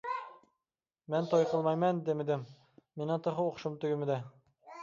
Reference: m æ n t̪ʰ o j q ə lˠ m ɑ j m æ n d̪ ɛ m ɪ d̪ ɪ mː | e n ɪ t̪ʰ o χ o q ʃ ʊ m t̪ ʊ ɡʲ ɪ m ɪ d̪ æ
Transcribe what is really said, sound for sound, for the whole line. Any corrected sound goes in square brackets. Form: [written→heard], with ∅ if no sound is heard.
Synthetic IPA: m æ n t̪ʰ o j q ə lˠ m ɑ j m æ n d̪ [ɛ→e] m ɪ d̪ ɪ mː | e n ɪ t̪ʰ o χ o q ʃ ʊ m t̪ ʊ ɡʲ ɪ m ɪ d̪ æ